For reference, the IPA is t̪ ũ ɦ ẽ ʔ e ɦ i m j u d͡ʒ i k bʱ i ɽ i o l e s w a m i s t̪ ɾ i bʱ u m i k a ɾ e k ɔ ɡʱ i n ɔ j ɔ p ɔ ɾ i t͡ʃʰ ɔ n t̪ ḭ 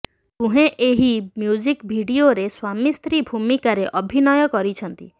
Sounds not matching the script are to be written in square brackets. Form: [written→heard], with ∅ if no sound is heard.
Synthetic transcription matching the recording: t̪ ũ ɦ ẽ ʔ e ɦ i m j u d͡ʒ i k bʱ i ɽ i o [l→ɾ] e s w a m i s t̪ ɾ i bʱ u m i k a ɾ e [k→ʔ] ɔ [ɡʱ→bʱ] i n ɔ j ɔ [p→k] ɔ ɾ i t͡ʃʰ ɔ n t̪ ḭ